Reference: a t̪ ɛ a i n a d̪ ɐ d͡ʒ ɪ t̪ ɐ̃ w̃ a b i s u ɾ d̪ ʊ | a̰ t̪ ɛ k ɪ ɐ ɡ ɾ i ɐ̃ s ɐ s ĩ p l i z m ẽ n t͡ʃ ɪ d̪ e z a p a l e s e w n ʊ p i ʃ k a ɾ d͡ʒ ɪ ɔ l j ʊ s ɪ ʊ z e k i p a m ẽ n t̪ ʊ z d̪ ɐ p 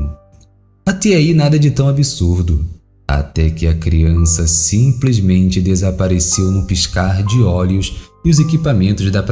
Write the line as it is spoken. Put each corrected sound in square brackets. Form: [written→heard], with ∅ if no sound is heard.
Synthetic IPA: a t̪ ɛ a i n a d̪ ɐ d͡ʒ ɪ t̪ ɐ̃ w̃ a b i s u ɾ d̪ ʊ | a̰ t̪ ɛ k ɪ ɐ [ɡ→k] ɾ i ɐ̃ s ɐ s ĩ p l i z m ẽ n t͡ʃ ɪ d̪ e z a p a [l→ɾ] e s e w n ʊ p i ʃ k a ɾ d͡ʒ ɪ ɔ l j ʊ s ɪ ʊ z e k i p a m ẽ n t̪ ʊ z d̪ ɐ p